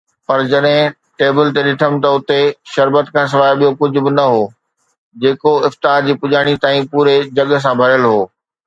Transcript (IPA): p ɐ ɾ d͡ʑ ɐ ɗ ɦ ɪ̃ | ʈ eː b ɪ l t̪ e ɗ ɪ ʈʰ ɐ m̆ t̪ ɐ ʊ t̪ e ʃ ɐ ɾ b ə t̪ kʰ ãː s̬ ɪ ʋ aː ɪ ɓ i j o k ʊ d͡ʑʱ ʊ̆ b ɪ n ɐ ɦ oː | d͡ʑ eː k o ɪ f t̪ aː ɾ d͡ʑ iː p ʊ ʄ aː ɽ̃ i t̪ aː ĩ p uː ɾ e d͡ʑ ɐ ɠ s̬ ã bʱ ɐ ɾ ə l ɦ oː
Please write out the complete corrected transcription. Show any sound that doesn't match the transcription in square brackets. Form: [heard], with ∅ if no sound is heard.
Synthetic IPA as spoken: p ɐ ɾ d͡ʑ ɐ ɗ ɦ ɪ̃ | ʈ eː b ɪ l t̪ e ɗ ɪ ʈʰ [ə] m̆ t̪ ɐ ʊ t̪ e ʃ ɐ ɾ b ə t̪ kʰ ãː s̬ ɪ ʋ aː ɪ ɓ i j o k ʊ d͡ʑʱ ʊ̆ b ɪ n ɐ ɦ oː | d͡ʑ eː k o ɪ f t̪ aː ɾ d͡ʑ iː p ʊ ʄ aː ɽ̃ i t̪ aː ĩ p uː ɾ e d͡ʑ ɐ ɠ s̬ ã bʱ ɐ ɾ ə l ɦ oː